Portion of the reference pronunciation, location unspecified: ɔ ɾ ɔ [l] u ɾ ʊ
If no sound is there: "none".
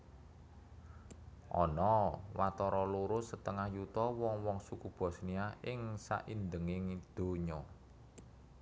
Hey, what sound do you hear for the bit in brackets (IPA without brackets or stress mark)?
l